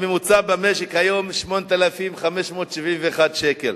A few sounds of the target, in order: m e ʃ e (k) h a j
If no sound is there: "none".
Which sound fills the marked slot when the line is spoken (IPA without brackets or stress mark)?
k